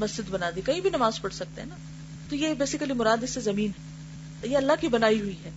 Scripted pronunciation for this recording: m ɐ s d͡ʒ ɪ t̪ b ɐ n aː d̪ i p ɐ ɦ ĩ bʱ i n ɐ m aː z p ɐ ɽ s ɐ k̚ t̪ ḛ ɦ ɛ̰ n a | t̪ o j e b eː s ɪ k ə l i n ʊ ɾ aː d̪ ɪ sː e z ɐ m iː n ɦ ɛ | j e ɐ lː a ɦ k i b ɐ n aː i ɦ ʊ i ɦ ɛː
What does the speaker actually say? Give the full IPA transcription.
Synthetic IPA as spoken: m ɐ s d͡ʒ ɪ d̪ b ɐ n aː d̪ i k ɐ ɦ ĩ bʱ i n ɐ m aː z p ɐ ɽ s ɐ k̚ t̪ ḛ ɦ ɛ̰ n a | t̪ o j e b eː s ɪ k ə l i m ʊ ɾ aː d̪ ɪ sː e z ɐ m iː n ɦ ɛ | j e ɐ lː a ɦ k i b ɐ n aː i ɦ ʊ i ɦ ɛː